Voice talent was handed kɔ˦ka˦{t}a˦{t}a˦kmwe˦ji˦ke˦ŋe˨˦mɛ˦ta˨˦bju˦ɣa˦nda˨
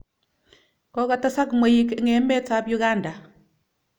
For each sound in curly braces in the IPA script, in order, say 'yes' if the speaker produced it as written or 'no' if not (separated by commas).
yes, no